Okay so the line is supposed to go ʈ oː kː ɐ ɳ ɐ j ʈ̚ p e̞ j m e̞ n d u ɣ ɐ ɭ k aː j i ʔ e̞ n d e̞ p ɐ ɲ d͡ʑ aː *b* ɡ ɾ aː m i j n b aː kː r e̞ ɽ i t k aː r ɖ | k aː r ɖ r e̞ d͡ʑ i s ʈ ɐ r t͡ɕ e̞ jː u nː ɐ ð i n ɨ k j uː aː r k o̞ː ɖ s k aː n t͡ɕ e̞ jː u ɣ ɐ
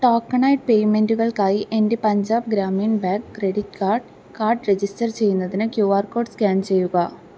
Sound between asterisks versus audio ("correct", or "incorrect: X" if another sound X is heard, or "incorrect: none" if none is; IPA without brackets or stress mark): correct